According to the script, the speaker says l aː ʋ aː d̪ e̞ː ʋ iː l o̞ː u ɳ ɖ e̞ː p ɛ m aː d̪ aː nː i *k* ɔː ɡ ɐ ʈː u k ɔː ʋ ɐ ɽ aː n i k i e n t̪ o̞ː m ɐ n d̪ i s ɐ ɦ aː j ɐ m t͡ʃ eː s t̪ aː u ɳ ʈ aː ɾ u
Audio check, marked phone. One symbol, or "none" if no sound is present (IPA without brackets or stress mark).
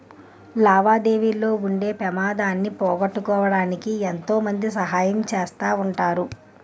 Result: p